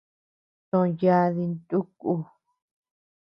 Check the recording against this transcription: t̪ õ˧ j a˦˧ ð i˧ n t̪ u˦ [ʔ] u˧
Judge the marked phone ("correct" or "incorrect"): incorrect